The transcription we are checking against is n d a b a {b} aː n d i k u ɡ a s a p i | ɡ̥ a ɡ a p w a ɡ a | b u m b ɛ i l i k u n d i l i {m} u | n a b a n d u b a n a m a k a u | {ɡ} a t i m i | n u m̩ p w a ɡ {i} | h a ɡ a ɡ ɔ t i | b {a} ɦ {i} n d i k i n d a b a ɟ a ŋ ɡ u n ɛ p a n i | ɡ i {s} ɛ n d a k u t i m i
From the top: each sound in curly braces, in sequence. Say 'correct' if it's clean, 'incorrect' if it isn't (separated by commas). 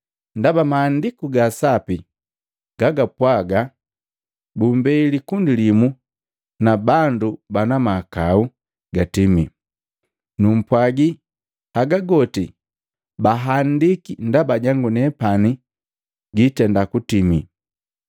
incorrect, correct, correct, correct, correct, incorrect, incorrect